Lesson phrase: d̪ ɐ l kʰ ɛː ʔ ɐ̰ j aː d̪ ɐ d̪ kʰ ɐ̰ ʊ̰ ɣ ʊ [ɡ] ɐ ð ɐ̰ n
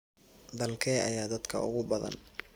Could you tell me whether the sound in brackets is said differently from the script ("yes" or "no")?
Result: yes